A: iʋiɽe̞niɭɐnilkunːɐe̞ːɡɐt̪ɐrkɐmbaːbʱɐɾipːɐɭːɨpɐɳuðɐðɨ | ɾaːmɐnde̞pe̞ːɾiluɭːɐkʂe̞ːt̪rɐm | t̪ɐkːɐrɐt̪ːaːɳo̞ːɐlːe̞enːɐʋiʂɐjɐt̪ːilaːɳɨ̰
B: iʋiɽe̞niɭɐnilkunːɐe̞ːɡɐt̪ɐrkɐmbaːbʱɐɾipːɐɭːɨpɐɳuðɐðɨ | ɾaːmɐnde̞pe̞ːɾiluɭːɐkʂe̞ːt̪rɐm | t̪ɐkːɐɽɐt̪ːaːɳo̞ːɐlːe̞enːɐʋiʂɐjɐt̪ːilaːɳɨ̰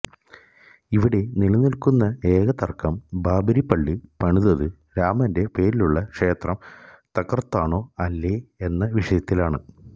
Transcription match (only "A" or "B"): A